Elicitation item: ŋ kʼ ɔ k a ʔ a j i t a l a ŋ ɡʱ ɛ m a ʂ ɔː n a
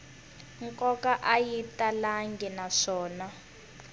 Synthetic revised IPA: ŋ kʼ ɔ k a ʔ a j i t a l a ŋ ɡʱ ɛ n a ʂ ɔː n a